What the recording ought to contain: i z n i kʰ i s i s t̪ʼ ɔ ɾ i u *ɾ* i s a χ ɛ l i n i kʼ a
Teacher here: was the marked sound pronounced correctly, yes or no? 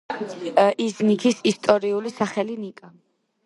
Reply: no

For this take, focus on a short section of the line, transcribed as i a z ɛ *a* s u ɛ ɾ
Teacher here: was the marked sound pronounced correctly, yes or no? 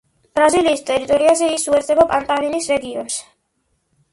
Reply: no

